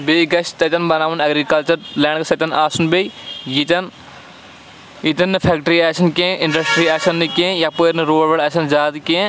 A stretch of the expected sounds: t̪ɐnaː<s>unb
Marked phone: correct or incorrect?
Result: correct